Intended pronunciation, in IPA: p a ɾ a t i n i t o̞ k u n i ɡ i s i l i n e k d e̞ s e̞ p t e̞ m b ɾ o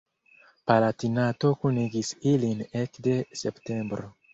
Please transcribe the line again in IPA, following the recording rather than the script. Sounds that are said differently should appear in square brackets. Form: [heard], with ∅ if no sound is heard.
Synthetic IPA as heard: p a [l] a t i n [a] t o̞ k u n i ɡ i s i l i n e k d e̞ s e̞ p t e̞ m b ɾ o